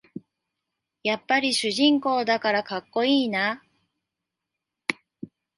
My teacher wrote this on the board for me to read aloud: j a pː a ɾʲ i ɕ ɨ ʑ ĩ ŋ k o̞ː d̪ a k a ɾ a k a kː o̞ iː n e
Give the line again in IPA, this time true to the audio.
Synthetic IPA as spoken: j a pː a ɾʲ i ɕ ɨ ʑ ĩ ŋ k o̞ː d̪ a k a ɾ a k a kː o̞ iː n a